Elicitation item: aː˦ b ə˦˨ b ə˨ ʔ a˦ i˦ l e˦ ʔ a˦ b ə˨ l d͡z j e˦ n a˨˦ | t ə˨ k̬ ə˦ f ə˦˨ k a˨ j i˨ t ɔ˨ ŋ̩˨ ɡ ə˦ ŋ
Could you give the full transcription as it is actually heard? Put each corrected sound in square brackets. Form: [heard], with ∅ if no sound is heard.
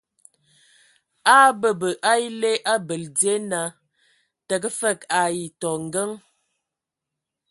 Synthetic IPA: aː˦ b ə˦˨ b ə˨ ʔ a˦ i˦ l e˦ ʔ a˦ b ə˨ l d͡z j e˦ n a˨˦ | t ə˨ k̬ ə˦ f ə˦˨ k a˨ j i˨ t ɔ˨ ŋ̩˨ ɡ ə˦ ŋ